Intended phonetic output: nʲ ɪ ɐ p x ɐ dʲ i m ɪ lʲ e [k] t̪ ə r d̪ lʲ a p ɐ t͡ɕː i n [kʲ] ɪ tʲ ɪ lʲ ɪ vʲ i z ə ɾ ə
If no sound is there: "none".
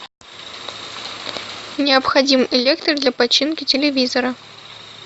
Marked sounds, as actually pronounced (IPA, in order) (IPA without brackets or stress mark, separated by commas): k, kʲ